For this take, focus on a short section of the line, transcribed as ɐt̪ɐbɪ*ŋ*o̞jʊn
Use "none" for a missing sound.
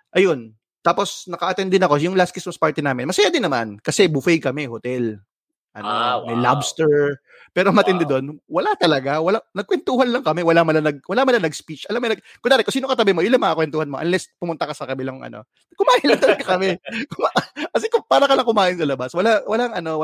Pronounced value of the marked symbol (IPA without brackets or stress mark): m